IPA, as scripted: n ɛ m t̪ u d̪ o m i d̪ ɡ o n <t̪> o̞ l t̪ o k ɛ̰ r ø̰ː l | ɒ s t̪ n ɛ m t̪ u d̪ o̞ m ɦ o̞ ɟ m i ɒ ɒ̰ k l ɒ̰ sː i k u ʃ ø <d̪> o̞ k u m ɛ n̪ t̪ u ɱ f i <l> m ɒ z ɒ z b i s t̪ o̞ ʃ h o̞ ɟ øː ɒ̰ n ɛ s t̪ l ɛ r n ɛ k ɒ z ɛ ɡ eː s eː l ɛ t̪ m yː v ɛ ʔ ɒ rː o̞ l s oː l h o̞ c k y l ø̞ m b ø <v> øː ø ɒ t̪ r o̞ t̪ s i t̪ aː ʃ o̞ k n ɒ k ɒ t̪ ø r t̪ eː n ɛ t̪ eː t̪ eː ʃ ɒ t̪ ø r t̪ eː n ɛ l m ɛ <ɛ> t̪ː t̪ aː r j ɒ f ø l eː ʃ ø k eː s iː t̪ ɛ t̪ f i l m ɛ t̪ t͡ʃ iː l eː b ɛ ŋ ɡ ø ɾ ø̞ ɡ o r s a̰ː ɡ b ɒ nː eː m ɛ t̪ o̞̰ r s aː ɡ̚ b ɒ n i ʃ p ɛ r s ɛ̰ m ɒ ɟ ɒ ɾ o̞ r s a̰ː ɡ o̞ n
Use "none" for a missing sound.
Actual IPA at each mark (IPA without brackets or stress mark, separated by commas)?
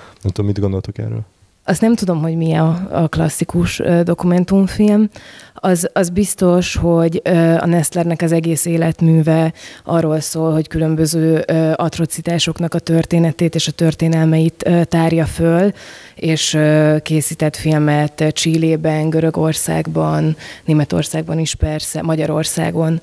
d̪, d̪, l, z, i